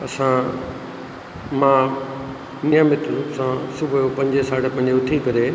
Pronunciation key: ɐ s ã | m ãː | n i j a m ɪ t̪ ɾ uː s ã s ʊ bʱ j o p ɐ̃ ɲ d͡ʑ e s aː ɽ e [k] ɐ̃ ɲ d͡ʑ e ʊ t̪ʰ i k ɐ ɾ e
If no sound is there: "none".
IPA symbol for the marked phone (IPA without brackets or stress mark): p